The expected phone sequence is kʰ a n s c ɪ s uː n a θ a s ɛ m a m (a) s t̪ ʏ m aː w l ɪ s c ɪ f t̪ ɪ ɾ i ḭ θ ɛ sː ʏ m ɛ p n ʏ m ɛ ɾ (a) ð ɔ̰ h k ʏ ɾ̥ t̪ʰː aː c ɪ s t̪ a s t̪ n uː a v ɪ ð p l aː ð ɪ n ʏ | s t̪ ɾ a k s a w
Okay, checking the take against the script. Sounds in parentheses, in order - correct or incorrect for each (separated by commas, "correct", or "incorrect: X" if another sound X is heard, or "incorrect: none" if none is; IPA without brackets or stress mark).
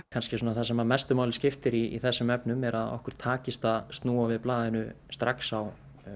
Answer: incorrect: ɛ, correct